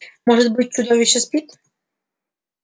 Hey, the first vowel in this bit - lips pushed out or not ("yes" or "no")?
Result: yes